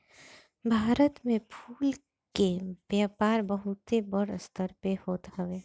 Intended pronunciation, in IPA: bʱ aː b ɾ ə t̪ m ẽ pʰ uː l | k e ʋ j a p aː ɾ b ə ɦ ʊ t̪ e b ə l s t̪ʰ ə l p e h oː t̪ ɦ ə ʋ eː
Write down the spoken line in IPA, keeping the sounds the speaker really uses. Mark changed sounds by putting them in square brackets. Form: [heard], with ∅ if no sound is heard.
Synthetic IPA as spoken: bʱ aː [∅] ɾ ə t̪ m ẽ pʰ uː l | k e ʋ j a p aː ɾ b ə ɦ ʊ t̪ e b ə [ɽ] s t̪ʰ ə [ɾ] p e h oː t̪ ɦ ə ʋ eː